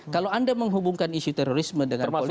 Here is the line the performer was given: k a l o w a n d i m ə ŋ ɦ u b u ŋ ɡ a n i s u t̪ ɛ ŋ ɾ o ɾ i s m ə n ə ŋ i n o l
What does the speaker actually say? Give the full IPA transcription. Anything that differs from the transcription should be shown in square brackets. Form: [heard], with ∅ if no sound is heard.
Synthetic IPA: k a l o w a n d [a] m ə ŋ ɦ u b u ŋ [k] a n i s u t̪ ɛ [∅] ɾ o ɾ i s m ə [d] ə ŋ [a] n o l